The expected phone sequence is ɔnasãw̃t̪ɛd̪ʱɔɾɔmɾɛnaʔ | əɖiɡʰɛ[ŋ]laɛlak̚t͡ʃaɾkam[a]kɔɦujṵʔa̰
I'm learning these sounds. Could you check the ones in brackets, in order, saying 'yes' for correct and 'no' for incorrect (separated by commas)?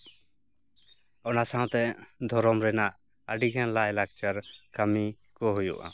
no, no